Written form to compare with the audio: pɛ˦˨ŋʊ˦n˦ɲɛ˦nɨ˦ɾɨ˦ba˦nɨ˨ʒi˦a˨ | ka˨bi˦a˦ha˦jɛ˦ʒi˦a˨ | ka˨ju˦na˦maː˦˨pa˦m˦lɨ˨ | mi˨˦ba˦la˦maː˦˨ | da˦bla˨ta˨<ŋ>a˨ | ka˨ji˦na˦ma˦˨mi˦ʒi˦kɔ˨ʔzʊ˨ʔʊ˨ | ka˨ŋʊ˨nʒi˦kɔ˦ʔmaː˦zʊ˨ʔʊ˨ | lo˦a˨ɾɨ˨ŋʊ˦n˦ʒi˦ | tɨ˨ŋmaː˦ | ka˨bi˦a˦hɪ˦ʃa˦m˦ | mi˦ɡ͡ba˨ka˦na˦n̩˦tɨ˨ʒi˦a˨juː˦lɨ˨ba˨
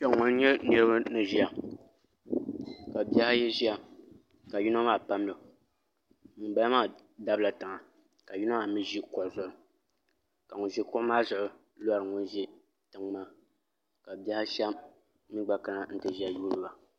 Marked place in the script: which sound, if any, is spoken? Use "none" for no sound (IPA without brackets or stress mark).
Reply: ŋ